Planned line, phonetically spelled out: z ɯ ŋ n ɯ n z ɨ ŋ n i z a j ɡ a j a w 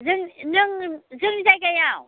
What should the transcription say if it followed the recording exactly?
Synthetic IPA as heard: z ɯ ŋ n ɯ ŋ z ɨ ŋ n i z a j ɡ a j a w